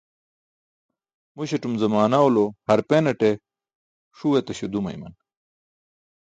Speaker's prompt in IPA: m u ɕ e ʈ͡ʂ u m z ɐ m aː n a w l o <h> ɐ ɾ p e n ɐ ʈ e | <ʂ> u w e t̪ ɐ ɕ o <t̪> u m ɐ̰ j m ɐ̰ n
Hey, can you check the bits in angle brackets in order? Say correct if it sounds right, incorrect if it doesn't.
correct, correct, incorrect: d̪

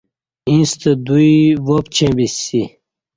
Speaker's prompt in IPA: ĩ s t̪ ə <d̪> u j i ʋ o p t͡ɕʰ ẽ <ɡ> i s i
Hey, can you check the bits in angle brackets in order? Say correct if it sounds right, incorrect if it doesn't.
correct, incorrect: b

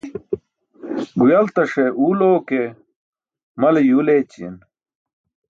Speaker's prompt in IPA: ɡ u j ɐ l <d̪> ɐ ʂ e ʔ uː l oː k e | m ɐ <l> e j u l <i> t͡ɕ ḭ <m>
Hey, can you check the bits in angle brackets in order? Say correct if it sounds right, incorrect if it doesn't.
incorrect: t̪, correct, incorrect: e, incorrect: n

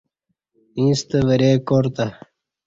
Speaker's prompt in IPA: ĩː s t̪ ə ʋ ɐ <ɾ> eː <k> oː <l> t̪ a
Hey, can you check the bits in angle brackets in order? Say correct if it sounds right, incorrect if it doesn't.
correct, correct, incorrect: ɾ

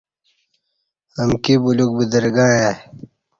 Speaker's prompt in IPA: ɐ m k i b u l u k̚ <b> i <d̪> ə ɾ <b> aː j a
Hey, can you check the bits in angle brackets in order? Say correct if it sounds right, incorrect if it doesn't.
correct, correct, incorrect: ɡ

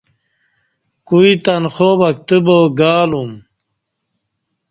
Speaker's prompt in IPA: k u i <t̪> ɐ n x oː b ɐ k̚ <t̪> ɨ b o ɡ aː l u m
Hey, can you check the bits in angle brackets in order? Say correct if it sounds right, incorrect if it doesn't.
correct, correct

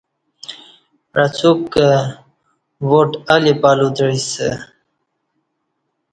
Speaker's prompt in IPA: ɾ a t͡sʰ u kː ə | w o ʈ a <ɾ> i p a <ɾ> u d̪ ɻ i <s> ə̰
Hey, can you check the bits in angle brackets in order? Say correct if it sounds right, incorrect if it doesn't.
incorrect: l, incorrect: l, correct

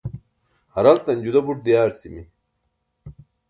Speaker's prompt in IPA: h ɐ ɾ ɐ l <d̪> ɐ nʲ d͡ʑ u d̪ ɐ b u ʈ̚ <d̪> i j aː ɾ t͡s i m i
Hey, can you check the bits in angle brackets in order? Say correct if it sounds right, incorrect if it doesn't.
incorrect: t̪, correct

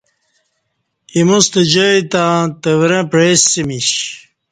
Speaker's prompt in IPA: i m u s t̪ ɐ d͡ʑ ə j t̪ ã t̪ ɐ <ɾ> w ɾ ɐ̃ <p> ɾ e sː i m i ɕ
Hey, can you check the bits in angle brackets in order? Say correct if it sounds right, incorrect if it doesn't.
incorrect: none, correct

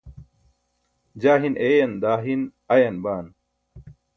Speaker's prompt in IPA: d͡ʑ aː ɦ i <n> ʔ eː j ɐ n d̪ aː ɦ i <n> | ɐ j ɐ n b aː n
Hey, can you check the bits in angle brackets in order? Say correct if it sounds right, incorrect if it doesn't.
correct, correct

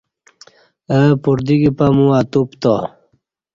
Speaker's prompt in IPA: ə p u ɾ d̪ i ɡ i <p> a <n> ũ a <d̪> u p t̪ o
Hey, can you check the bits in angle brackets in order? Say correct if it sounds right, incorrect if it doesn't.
correct, incorrect: m, incorrect: t̪

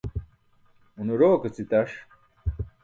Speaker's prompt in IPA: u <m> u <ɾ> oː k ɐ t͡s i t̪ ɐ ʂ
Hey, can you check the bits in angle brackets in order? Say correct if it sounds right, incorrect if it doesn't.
incorrect: n, correct

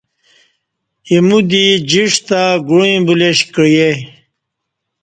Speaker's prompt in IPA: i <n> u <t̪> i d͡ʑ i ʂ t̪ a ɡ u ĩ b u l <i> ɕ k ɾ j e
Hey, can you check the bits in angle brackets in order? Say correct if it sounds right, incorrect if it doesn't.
incorrect: m, incorrect: d̪, incorrect: e

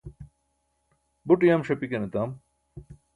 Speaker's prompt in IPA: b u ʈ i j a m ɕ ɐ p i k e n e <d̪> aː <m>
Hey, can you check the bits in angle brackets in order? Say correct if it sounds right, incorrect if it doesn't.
incorrect: t̪, correct

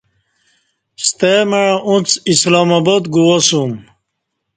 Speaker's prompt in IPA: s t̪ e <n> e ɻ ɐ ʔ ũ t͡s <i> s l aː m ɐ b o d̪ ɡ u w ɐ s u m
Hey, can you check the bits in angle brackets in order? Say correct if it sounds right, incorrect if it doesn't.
incorrect: m, correct

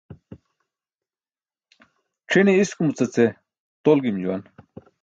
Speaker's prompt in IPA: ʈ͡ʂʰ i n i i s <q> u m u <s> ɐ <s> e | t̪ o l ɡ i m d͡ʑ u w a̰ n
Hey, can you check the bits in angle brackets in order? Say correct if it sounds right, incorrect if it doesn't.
incorrect: k, incorrect: t͡s, incorrect: t͡s

